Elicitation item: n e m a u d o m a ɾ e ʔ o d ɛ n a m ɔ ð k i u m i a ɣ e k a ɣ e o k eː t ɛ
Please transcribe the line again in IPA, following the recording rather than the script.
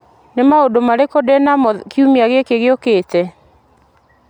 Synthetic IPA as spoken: n e m a o d o m a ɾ e k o d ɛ n a m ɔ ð k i u m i a ɣ e k e ɣ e o k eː t ɛ